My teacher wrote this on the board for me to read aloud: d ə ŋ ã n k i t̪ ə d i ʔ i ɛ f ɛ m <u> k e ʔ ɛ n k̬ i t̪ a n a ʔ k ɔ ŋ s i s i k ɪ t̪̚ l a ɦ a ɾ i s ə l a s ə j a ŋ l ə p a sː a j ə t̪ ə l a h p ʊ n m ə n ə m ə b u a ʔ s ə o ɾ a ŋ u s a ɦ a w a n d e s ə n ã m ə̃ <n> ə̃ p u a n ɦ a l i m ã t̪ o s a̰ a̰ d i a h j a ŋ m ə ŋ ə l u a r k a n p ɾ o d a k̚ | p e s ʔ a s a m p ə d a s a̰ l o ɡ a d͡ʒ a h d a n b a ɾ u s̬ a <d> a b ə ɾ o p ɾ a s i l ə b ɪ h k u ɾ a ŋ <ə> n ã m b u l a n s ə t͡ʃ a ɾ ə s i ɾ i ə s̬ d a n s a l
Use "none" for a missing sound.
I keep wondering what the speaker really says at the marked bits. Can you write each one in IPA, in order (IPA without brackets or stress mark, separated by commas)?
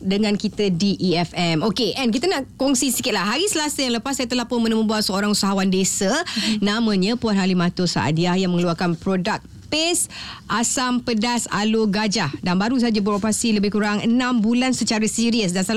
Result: o, ɲ, d͡ʒ, ə